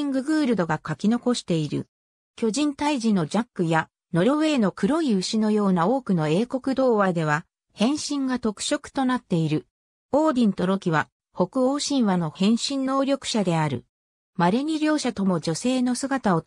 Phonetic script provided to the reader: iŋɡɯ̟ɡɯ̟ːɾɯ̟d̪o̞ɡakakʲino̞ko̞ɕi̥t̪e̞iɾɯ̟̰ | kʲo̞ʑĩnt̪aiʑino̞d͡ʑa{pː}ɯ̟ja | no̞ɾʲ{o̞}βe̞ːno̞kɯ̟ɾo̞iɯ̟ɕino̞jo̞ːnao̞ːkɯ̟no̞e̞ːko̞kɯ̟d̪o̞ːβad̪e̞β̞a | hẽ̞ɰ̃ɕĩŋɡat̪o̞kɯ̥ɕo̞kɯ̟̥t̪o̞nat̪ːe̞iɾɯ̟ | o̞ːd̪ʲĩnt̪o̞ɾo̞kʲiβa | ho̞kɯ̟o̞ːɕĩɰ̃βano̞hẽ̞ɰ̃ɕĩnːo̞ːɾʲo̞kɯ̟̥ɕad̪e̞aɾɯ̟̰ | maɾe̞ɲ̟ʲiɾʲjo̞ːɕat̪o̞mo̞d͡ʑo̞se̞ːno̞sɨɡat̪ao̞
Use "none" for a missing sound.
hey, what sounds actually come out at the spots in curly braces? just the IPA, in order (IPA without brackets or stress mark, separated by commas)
kː, o̞